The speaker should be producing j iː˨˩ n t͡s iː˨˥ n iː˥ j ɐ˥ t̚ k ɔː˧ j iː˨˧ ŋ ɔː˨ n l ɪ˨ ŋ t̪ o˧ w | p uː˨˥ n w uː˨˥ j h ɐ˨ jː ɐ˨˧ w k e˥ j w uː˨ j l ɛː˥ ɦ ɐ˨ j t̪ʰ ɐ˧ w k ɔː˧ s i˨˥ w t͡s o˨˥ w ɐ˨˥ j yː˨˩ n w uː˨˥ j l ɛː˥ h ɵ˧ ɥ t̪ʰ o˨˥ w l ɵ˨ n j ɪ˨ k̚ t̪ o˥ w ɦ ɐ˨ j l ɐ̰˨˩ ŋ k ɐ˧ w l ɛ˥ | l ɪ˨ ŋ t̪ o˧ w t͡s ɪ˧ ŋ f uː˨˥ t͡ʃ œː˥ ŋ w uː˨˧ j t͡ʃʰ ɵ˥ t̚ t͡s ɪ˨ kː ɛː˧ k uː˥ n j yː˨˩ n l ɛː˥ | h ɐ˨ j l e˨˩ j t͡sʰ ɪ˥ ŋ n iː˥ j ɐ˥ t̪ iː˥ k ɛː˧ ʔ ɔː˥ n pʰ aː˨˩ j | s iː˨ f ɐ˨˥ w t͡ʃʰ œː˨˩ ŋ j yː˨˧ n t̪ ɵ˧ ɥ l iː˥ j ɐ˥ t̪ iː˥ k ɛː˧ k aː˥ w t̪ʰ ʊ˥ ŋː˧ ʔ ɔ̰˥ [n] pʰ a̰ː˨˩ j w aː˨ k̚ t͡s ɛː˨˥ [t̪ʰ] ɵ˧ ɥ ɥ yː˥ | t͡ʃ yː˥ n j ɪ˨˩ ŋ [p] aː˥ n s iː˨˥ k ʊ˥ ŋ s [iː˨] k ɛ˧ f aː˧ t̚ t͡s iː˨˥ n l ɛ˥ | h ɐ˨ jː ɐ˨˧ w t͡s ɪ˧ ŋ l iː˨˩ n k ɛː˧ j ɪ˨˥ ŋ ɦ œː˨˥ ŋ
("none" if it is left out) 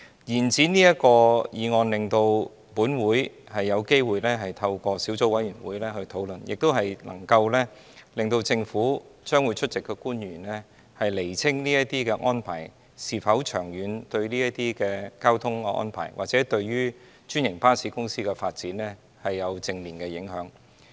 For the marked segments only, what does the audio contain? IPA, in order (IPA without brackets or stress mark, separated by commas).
n, t̪, p, iː˥